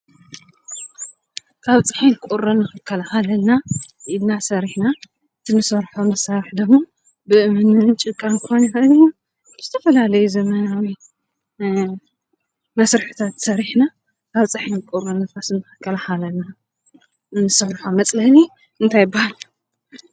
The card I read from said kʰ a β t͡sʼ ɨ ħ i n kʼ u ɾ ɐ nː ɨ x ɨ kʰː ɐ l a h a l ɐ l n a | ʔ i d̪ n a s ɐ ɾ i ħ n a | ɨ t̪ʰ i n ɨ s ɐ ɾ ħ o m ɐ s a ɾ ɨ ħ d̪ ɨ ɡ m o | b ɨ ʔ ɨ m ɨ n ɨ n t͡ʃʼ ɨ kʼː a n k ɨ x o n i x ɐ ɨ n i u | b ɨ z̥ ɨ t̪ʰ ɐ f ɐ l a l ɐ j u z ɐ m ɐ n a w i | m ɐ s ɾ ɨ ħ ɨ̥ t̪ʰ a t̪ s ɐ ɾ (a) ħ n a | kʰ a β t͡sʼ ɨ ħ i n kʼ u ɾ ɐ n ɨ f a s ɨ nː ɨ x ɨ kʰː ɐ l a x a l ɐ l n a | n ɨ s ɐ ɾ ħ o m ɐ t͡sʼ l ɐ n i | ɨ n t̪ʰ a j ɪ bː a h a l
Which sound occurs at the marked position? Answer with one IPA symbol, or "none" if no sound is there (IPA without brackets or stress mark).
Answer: i